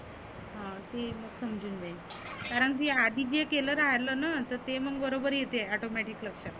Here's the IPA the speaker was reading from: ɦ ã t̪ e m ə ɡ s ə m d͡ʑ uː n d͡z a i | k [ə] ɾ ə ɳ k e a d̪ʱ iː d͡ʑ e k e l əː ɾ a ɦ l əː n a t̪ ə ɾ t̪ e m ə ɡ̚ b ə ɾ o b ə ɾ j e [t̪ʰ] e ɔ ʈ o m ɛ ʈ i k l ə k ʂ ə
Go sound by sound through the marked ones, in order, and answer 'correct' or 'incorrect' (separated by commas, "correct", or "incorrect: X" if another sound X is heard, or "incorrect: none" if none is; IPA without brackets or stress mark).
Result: incorrect: a, incorrect: t̪